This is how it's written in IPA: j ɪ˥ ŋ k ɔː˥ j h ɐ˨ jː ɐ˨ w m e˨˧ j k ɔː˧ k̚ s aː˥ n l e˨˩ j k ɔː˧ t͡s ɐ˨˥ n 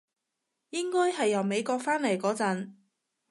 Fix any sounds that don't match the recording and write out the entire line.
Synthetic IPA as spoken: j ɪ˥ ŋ k ɔː˥ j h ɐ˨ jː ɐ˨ w m e˨˧ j k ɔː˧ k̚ f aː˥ n l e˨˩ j k ɔː˨˥ t͡s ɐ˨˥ n